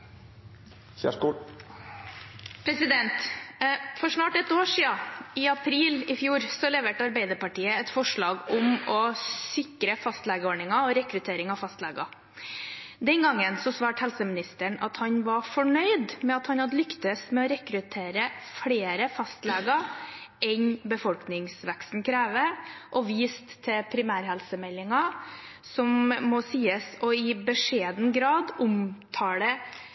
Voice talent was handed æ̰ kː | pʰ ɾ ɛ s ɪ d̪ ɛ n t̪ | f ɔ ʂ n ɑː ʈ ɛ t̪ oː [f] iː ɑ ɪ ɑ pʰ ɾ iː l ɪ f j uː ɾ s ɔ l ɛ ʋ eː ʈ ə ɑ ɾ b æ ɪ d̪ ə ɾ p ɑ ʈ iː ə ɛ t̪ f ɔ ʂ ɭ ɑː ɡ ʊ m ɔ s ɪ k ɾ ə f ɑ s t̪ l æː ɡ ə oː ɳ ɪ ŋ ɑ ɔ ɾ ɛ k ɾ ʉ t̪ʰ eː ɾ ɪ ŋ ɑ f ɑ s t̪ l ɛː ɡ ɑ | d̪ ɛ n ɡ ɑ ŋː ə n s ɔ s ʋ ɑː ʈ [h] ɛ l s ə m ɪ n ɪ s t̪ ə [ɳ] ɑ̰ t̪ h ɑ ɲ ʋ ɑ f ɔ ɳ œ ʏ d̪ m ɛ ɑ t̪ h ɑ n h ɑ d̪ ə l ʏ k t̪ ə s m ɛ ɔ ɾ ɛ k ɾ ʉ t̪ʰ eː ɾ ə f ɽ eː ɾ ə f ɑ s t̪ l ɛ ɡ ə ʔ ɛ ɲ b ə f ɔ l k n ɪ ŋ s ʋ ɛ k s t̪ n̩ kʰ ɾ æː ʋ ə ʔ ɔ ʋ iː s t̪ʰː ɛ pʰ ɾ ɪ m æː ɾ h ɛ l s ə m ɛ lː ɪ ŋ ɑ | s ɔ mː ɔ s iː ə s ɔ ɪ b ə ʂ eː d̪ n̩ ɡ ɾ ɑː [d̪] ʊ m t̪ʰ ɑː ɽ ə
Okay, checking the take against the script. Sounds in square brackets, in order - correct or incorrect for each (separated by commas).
incorrect, correct, correct, correct